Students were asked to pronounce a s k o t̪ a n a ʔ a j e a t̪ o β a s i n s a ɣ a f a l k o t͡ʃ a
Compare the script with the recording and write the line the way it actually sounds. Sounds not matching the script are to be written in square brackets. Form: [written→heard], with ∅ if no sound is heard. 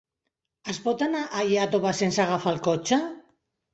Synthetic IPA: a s [k→p] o t̪ a n a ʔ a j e a t̪ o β a s [i→e] n s a ɣ a f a l k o t͡ʃ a